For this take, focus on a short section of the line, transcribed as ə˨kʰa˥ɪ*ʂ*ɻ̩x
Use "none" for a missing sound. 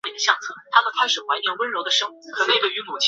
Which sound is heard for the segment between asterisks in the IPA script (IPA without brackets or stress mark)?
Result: ʂ